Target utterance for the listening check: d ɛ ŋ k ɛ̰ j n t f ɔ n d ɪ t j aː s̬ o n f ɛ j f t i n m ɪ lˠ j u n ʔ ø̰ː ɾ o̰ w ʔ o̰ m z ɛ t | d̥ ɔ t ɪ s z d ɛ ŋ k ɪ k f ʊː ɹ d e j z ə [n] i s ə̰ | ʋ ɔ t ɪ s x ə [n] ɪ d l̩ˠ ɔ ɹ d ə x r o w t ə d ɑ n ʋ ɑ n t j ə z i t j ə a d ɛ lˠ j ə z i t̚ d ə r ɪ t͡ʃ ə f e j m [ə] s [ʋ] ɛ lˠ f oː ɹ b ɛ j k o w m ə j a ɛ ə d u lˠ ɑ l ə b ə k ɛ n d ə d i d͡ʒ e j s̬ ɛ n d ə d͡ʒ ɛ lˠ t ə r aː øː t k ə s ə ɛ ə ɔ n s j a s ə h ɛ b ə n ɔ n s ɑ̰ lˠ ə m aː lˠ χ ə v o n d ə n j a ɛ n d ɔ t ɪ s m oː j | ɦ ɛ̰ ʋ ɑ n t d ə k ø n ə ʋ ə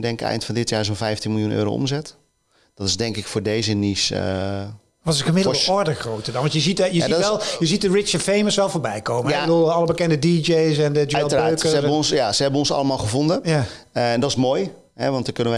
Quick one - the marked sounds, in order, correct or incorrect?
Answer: correct, incorrect: m, correct, correct

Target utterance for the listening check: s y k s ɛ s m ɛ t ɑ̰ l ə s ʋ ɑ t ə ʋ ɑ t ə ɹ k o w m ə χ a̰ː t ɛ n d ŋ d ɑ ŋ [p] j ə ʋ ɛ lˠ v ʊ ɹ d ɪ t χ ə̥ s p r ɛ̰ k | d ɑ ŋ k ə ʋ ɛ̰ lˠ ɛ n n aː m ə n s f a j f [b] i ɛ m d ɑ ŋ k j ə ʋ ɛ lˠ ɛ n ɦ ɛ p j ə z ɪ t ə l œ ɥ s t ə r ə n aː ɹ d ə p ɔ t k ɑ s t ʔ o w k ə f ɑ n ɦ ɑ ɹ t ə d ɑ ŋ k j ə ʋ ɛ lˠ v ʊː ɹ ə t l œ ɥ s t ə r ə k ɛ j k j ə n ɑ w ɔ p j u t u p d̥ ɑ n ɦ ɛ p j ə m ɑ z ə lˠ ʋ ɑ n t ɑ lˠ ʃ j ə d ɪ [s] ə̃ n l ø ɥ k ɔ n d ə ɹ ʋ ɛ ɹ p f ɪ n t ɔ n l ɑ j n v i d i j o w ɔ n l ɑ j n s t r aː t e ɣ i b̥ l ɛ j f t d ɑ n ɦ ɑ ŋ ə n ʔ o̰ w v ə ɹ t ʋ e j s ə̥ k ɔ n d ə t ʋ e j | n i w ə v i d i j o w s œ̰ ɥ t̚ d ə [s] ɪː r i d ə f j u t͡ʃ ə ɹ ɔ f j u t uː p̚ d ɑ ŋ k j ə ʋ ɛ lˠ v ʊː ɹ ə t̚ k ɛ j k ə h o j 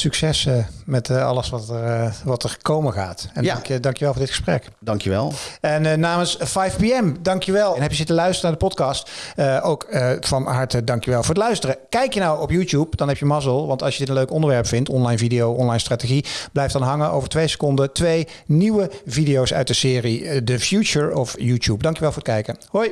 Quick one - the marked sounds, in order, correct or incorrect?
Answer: incorrect: k, incorrect: p, incorrect: t, correct

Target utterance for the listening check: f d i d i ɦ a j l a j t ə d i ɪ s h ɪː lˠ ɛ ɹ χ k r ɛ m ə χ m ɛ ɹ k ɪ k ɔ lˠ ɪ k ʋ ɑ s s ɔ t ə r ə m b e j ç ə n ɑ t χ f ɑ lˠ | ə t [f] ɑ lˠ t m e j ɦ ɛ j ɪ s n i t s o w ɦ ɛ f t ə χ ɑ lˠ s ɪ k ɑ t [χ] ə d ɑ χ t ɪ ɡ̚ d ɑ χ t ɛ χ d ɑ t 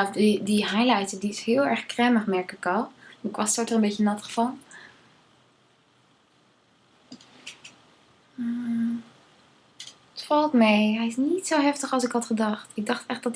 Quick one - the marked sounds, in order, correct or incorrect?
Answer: correct, correct

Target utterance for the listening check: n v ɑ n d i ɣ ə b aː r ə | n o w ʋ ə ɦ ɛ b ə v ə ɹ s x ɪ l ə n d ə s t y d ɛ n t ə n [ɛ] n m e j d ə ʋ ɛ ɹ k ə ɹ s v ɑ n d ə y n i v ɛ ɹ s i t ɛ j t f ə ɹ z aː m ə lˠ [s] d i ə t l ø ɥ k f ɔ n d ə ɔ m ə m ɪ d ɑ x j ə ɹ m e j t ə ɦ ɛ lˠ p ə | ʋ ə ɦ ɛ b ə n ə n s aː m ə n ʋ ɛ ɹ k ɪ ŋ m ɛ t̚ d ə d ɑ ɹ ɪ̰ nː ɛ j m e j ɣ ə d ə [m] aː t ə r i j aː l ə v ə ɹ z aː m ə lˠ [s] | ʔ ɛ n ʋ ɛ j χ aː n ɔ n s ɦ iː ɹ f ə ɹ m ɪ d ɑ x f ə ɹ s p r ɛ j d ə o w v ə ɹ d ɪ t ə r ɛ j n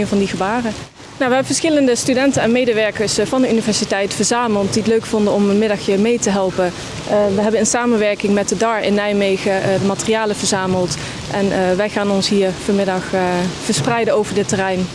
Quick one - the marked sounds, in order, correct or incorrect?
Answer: correct, incorrect: t, correct, incorrect: t

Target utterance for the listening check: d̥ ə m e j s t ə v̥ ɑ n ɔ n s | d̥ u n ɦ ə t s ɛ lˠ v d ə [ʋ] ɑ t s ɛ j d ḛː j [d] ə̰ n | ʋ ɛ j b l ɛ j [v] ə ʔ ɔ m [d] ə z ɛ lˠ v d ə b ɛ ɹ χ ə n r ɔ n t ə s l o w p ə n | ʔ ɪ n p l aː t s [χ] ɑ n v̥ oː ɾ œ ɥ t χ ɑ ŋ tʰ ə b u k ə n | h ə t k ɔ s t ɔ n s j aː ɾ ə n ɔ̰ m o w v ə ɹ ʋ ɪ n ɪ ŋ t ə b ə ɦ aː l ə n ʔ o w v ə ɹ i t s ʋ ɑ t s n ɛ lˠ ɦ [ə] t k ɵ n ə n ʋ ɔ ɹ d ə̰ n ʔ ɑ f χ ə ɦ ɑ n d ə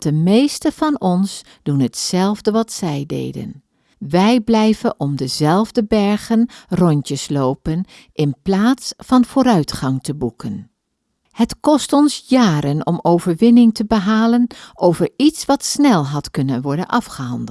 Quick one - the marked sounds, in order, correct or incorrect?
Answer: correct, correct, correct, correct, incorrect: f, incorrect: ɑ

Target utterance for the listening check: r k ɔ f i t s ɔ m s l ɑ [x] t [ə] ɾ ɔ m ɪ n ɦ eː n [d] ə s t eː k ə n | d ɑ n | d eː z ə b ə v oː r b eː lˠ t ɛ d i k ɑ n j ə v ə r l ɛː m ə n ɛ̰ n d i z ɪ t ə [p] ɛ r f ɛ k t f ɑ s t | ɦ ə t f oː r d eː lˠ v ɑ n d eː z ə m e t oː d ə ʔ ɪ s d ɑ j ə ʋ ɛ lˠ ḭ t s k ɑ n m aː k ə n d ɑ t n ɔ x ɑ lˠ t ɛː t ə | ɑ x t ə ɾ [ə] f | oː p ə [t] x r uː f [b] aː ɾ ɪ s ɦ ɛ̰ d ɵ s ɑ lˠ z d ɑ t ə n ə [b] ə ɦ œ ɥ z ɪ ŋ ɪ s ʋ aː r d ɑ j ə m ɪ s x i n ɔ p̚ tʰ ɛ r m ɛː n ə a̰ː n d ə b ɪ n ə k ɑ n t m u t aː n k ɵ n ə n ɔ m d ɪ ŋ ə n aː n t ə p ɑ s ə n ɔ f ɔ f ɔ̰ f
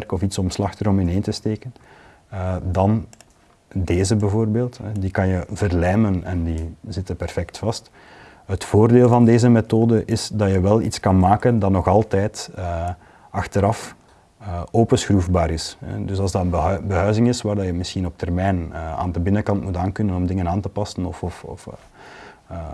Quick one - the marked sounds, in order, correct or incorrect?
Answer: correct, correct, incorrect: t, correct, incorrect: ɑ, incorrect: s, correct, correct

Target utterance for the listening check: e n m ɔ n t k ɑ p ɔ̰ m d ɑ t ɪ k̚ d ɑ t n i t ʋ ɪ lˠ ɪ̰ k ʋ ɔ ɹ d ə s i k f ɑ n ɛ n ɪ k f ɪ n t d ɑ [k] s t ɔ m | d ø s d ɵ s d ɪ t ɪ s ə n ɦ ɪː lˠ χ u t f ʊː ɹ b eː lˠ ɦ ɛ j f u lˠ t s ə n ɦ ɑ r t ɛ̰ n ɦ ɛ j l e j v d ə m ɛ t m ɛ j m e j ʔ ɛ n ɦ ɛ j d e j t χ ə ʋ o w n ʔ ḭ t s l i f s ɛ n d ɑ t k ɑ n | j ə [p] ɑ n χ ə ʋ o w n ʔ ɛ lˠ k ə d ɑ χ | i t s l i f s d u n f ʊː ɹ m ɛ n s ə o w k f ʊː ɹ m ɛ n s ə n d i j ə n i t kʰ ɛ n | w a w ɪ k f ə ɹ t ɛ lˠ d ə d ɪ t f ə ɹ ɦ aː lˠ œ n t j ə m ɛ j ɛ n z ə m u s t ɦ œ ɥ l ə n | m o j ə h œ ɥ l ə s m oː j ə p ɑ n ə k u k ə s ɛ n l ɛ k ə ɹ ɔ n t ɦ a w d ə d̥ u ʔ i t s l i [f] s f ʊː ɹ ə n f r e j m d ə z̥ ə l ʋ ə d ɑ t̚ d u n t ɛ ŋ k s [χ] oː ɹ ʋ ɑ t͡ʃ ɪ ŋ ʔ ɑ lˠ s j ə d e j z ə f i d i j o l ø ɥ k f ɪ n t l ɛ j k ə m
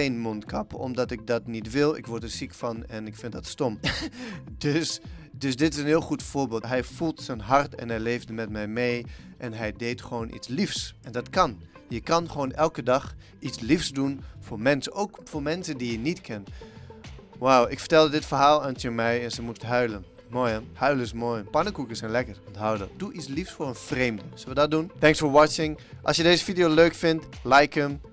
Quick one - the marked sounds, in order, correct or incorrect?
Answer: incorrect: t, incorrect: k, correct, incorrect: f

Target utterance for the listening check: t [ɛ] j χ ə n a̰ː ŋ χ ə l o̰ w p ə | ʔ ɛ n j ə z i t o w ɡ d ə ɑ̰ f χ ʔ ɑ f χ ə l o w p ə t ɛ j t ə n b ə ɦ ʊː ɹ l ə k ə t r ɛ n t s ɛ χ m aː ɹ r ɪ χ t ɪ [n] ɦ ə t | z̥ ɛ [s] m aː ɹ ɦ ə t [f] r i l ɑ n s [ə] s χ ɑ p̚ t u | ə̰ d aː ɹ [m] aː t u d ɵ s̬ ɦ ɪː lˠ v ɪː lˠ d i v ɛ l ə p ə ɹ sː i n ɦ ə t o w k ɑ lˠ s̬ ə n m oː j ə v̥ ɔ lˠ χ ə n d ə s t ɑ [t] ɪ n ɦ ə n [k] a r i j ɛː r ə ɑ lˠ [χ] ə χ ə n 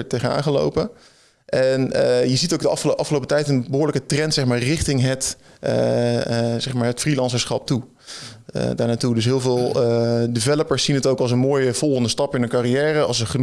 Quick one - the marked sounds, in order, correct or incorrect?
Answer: incorrect: e, incorrect: ŋ, incorrect: χ, correct, correct, incorrect: n, incorrect: p, correct, incorrect: s

